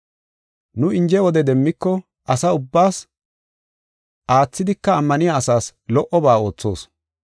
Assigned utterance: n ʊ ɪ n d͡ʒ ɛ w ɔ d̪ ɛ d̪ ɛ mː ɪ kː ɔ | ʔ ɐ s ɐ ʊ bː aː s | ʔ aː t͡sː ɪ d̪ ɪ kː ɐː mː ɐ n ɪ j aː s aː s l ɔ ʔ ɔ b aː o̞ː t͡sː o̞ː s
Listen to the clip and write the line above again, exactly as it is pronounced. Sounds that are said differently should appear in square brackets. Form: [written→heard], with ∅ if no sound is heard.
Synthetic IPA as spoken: n ʊ ɪ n d͡ʒ ɛ w ɔ d̪ ɛ d̪ ɛ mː ɪ kː ɔ | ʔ ɐ s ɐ ʊ bː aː s | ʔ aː t͡sː ɪ d̪ ɪ kː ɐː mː ɐ n ɪ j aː s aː s l ɔ ʔ ɔ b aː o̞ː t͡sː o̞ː s